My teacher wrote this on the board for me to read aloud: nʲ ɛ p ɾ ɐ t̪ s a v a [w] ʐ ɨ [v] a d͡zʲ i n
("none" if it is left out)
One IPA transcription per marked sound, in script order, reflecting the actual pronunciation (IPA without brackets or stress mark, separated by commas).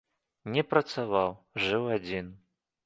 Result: w, w